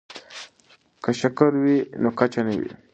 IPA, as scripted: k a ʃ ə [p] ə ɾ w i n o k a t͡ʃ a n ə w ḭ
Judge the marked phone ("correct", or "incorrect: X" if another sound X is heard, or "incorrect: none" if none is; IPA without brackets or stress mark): incorrect: k